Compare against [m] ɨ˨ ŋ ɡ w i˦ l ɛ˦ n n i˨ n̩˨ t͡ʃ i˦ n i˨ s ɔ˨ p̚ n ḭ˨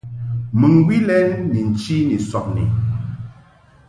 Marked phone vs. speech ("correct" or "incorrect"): correct